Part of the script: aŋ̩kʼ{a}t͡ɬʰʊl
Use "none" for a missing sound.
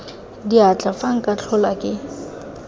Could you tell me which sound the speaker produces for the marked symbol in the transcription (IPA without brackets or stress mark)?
a